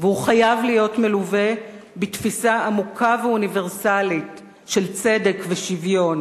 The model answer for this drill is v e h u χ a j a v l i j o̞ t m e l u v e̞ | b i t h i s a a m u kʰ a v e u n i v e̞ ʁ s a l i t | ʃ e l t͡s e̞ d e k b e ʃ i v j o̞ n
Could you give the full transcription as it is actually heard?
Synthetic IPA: v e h u χ a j a v l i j o̞ t m e l u v e̞ | b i t f i s a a m u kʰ a v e u n i v e̞ ʁ s a l i t | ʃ e l t͡s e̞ d e k v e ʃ i v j o̞ n